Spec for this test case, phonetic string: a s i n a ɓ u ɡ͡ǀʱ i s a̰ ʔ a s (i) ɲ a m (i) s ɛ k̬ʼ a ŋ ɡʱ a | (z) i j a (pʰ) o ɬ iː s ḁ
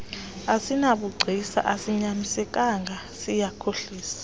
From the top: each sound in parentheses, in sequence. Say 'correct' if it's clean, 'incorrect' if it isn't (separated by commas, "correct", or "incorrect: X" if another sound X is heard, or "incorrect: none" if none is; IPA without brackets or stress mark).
correct, correct, incorrect: s, incorrect: kʰ